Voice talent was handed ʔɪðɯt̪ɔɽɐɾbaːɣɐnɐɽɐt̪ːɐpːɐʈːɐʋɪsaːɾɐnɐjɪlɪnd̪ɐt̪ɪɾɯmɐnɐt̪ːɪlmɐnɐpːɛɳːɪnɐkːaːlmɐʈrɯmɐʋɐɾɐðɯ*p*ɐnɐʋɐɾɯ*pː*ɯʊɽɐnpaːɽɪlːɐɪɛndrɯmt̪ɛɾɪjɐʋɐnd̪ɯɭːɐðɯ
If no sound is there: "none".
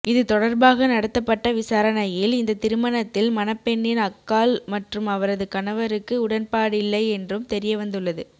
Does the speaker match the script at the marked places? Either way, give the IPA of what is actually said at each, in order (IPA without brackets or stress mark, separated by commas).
k, kː